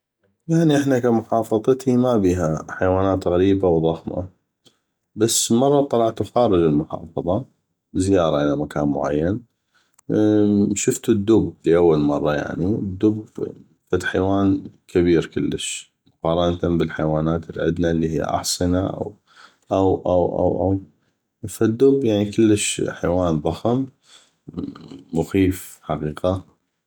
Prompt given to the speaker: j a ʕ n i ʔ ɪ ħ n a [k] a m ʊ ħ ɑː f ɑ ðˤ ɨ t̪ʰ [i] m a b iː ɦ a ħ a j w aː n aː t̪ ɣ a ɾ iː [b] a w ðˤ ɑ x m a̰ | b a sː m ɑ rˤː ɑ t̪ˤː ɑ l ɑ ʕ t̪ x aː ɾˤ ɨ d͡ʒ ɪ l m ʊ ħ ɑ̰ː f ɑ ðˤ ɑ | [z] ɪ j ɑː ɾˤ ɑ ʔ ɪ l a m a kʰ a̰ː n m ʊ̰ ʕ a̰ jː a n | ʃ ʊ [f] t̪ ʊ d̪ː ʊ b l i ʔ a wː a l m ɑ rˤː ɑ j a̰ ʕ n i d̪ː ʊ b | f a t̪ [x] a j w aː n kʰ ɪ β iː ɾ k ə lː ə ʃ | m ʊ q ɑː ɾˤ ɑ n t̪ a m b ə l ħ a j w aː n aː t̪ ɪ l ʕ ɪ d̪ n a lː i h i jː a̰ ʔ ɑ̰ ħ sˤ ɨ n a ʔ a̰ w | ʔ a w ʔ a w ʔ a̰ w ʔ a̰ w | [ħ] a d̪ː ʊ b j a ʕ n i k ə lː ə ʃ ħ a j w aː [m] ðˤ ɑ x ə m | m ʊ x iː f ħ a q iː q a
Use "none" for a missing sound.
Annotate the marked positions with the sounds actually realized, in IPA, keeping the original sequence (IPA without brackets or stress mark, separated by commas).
k, i, b, z, f, ħ, f, n